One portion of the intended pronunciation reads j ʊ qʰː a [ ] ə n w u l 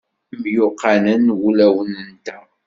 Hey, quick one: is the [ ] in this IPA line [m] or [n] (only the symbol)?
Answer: n